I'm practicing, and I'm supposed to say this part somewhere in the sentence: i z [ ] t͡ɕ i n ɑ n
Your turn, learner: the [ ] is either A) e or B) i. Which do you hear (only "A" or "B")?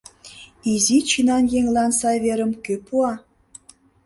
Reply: B